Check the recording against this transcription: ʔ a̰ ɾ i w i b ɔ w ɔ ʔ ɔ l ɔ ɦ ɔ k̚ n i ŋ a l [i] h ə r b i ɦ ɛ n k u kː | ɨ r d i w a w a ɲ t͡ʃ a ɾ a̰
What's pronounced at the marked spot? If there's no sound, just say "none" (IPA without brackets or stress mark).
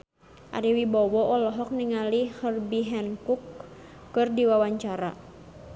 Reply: i